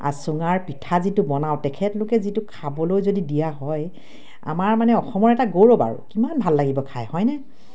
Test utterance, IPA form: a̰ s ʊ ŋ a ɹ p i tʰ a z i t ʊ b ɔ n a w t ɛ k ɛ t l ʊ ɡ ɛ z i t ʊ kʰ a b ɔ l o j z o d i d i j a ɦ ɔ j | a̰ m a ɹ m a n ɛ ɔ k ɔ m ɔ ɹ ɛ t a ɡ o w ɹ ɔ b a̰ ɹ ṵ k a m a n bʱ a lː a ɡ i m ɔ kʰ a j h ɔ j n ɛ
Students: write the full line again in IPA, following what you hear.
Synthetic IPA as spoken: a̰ s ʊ ŋ a ɹ p i tʰ a z i t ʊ b ɔ n a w t ɛ kʰ ɛ t l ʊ k ɛ z i t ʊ kʰ a b ɔ l o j z o d i d i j a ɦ ɔ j | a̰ m a ɹ m a n ɛ ɔ x ɔ m ɔ ɹ ɛ t a ɡ o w ɹ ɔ b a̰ ɹ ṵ k i m a n bʱ a lː a ɡ i b ɔ kʰ a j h ɔ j n ɛ